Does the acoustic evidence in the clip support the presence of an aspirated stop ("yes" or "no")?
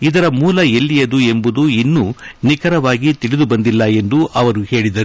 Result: no